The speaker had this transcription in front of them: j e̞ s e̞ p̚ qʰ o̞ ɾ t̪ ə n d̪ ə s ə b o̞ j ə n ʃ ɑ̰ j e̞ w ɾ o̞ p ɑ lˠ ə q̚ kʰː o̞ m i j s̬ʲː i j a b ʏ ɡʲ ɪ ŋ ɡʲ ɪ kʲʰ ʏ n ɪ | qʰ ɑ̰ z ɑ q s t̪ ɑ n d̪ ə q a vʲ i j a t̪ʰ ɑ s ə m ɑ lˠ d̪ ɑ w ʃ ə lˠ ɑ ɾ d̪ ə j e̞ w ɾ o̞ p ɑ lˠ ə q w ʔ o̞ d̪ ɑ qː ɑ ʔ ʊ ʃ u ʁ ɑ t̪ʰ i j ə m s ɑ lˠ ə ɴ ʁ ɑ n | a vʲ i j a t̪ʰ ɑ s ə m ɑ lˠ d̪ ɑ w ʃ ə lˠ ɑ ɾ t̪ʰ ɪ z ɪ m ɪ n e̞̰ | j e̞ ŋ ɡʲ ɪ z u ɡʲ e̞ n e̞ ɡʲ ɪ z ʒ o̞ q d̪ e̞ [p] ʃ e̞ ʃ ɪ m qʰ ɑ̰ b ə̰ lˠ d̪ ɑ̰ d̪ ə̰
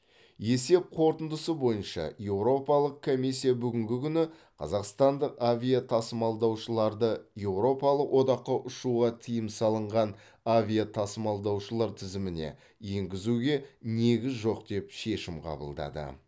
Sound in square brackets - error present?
no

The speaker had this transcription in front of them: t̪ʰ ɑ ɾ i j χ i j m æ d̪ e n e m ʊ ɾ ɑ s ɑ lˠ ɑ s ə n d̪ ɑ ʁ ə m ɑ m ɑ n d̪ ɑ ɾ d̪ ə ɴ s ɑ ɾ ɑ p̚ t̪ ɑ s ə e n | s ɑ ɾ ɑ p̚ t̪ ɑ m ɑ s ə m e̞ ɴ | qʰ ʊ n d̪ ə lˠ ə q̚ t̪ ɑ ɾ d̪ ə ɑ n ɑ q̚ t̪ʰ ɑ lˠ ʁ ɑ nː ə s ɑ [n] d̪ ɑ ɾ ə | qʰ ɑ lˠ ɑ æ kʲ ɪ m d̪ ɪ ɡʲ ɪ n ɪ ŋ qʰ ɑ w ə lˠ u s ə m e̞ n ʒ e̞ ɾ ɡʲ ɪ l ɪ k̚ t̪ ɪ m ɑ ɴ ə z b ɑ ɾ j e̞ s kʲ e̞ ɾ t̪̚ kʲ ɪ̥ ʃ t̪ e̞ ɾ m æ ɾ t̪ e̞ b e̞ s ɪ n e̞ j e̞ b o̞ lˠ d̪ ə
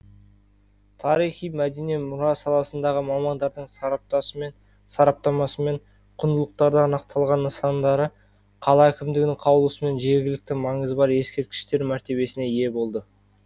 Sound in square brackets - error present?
no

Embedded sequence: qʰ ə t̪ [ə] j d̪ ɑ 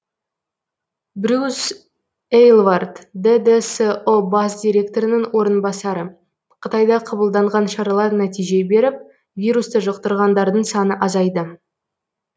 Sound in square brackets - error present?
yes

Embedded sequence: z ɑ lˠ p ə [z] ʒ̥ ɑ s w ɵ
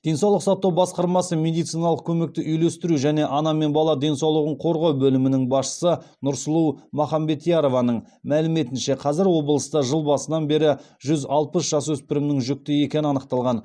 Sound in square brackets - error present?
yes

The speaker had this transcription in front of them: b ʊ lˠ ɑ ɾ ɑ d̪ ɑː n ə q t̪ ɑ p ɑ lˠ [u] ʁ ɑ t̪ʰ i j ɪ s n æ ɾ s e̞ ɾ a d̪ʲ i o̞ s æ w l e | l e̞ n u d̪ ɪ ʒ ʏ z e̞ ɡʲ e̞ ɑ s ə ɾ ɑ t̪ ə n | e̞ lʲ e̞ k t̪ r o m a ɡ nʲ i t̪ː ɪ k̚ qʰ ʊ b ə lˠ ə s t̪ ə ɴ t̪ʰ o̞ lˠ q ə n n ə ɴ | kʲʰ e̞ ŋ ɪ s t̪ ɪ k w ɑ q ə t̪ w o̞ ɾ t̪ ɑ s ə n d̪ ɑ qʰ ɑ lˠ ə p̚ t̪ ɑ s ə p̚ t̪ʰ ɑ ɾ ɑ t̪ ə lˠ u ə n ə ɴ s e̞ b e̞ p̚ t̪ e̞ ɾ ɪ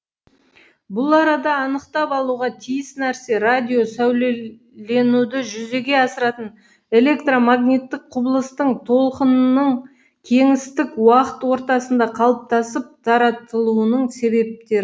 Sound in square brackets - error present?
no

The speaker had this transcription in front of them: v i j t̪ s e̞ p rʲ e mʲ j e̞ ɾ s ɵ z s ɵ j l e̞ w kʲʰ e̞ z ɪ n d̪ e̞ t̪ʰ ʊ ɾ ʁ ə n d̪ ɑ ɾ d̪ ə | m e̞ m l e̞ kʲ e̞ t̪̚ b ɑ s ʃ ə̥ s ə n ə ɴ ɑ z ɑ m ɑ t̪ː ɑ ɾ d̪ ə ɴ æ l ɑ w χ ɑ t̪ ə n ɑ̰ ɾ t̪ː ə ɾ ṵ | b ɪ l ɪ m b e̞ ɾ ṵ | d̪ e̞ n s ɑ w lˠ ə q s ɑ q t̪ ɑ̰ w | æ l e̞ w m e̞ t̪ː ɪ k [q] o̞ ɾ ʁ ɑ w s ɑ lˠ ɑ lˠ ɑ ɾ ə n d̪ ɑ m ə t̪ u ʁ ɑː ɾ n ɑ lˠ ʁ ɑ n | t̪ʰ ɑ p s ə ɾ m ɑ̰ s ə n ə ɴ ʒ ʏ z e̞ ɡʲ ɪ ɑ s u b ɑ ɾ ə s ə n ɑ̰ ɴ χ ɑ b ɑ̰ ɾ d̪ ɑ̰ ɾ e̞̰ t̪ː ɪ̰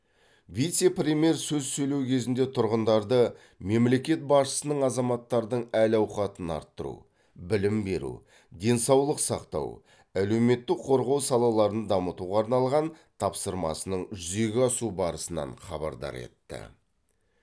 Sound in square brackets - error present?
yes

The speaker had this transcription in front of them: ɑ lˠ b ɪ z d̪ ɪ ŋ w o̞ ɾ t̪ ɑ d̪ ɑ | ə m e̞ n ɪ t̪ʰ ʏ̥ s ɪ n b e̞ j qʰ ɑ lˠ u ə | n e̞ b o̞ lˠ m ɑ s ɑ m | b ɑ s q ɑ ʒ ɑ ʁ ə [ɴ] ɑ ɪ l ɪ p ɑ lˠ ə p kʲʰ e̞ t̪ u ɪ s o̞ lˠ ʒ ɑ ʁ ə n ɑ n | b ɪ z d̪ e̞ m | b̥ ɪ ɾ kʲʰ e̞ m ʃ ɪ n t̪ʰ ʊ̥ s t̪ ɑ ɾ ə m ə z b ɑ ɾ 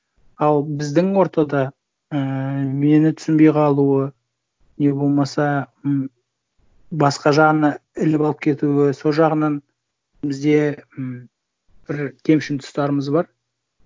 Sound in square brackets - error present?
yes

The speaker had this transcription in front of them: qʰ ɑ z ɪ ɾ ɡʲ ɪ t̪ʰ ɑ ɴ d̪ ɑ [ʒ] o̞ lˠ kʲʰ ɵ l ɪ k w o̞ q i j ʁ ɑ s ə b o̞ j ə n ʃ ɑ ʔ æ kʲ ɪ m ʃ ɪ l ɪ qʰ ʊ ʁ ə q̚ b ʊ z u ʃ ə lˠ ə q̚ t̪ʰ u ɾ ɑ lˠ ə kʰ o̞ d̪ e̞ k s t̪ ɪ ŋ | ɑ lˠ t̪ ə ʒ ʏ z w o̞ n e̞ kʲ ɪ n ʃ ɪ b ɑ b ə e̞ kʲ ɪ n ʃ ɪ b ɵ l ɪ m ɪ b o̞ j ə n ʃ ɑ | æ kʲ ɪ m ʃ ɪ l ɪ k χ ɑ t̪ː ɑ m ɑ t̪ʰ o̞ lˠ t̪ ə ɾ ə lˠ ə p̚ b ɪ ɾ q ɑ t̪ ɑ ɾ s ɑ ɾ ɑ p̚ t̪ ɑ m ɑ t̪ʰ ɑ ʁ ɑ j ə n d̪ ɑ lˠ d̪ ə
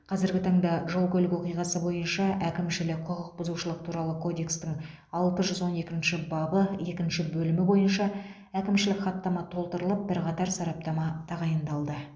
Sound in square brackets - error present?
no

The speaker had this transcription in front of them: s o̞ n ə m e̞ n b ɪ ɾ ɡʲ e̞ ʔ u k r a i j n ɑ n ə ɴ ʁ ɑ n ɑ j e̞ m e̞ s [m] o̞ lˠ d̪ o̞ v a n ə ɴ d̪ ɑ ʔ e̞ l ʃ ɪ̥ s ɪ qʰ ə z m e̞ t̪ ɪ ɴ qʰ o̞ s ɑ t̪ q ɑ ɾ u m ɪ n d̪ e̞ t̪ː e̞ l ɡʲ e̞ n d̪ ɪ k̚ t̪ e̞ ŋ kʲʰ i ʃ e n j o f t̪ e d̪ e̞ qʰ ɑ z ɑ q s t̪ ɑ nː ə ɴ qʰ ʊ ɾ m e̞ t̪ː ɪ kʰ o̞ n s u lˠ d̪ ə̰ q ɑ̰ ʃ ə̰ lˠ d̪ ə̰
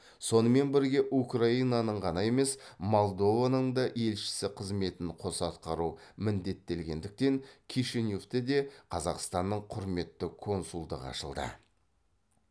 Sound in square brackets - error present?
no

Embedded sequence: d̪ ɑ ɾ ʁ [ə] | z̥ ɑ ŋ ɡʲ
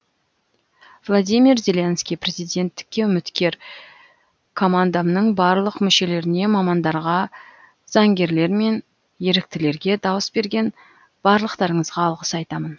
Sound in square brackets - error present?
yes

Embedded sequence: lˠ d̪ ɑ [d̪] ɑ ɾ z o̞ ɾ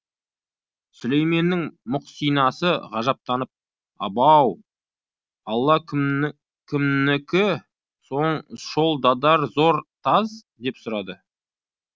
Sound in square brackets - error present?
no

